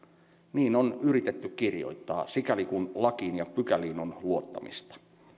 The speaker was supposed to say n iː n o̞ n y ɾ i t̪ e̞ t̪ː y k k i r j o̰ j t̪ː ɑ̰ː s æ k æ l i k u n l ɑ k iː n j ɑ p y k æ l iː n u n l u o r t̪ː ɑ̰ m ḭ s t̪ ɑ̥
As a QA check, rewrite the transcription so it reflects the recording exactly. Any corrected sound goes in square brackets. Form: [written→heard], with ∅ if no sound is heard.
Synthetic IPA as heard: n iː n o̞ n y ɾ i t̪ e̞ t̪ː y k k i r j o̰ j t̪ː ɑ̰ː s [æ→i] k æ l i k u n l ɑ k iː n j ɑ p y k æ l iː n [u→o] n l u o [r→∅] t̪ː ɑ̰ m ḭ s t̪ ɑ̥